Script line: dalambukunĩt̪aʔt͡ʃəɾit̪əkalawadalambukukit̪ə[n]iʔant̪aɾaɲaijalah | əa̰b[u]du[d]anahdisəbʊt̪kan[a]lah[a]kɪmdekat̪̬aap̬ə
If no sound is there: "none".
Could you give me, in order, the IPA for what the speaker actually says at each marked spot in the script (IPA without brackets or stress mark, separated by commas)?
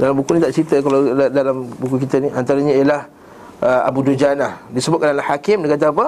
n, u, d͡ʒ, a, a